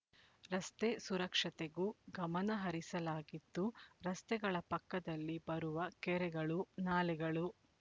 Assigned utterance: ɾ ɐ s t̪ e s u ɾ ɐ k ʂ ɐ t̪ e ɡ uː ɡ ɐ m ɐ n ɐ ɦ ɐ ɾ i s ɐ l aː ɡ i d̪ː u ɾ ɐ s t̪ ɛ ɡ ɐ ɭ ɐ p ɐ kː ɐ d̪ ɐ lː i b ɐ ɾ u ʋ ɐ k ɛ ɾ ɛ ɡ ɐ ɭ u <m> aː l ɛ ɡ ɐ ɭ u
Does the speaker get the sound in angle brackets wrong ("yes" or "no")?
yes